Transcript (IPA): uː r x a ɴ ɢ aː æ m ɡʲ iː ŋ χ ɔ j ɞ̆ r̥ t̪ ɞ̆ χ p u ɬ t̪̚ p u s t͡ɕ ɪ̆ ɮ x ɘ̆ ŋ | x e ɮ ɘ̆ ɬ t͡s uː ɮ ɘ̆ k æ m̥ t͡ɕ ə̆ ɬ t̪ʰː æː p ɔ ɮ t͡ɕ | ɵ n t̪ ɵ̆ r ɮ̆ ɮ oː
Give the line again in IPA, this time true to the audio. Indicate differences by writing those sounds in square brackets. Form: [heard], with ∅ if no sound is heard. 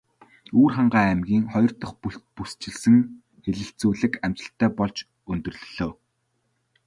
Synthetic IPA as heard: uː r [χ] a ɴ ɢ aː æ m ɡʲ iː ŋ χ ɔ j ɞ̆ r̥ t̪ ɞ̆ χ p u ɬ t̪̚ p u s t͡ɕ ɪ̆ ɮ [s] ɘ̆ ŋ | x e ɮ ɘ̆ ɬ t͡s uː ɮ ɘ̆ k æ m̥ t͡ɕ ə̆ ɬ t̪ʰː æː p ɔ ɮ t͡ɕ | ɵ n t̪ ɵ̆ r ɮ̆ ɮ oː